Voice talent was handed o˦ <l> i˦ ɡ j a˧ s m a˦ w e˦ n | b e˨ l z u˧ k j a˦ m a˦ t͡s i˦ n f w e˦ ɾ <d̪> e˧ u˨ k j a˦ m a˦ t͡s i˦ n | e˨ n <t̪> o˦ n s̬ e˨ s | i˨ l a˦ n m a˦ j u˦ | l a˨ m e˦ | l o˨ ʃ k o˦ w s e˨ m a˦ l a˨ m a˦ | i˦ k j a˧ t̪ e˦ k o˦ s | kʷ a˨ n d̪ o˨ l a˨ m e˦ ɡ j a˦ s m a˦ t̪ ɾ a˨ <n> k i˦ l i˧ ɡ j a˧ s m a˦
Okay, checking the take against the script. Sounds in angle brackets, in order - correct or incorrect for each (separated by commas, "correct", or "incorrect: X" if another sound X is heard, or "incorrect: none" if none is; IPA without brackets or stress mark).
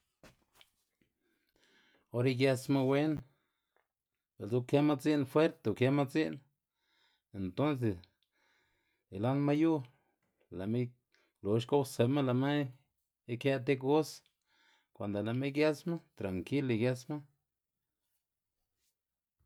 incorrect: ɾ, incorrect: t̪, correct, incorrect: ŋ